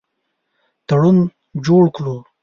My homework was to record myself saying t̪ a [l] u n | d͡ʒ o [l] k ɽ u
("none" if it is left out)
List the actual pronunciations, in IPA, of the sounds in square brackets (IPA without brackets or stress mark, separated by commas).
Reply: ɽ, ɽ